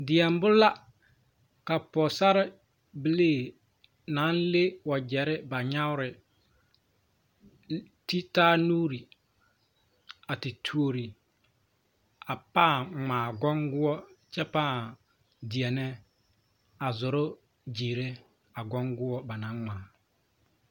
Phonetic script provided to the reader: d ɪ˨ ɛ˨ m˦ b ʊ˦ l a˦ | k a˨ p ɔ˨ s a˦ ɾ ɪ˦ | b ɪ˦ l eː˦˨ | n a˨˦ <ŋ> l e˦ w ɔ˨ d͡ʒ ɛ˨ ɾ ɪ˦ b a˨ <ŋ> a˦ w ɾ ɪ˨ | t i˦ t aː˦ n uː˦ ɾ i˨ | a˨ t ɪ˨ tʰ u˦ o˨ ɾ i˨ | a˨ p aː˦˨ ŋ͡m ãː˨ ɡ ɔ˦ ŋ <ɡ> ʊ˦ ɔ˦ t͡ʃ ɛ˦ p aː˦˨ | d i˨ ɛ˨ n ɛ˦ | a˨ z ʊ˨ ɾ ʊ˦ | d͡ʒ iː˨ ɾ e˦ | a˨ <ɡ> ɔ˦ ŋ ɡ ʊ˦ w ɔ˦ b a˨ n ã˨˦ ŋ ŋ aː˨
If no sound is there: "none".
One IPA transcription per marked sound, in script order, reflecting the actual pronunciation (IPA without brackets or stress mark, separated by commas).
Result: n, ɲ, ɡ, ɡ